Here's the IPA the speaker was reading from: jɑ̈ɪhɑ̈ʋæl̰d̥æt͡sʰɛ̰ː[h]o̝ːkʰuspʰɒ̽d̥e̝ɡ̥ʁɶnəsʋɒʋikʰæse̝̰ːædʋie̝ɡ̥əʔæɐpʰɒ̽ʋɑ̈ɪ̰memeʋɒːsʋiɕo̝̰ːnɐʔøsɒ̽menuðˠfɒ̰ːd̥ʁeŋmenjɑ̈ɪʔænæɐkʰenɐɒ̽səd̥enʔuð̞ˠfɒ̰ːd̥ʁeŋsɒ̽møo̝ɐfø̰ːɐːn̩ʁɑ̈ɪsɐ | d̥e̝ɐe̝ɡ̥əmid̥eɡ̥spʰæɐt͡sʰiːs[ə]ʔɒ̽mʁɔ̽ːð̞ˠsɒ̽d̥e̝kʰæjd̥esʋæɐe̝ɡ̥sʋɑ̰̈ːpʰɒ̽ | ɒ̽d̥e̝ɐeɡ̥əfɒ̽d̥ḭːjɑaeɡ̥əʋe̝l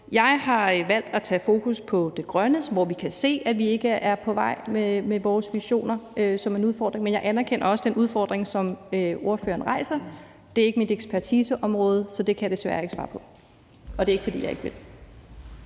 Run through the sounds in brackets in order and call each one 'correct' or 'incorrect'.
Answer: incorrect, correct

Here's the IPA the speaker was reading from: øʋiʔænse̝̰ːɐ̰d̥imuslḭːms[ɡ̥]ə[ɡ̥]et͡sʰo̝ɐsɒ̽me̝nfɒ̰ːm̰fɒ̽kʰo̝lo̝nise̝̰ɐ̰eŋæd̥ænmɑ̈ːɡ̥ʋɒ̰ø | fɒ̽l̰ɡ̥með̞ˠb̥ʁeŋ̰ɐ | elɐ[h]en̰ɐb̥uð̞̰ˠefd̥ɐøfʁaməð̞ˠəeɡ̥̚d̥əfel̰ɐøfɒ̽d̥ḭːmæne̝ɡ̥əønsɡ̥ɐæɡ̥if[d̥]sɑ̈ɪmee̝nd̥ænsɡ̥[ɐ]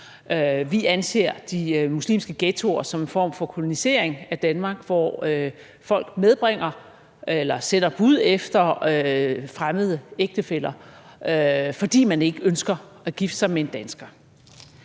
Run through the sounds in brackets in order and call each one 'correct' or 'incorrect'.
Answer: correct, correct, incorrect, correct, correct

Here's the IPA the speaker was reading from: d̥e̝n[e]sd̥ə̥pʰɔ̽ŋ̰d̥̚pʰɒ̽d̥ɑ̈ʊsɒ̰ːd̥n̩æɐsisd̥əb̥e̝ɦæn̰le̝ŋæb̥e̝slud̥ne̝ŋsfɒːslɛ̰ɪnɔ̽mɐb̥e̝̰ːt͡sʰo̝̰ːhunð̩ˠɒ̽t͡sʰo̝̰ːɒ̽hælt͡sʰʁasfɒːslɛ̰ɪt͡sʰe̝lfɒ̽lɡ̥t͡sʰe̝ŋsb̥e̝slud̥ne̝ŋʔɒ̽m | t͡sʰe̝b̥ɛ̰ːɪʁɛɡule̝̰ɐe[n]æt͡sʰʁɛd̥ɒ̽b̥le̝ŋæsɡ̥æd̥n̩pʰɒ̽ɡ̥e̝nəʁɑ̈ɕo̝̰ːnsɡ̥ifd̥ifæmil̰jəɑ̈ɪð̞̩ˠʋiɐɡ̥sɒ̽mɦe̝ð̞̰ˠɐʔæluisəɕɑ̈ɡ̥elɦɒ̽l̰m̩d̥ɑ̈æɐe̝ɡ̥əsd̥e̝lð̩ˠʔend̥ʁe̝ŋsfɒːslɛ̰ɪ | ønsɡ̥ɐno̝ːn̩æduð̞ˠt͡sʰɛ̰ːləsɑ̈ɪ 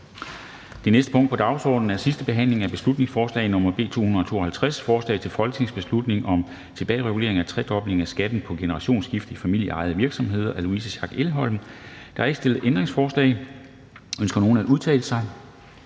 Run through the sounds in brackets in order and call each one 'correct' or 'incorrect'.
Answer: correct, incorrect

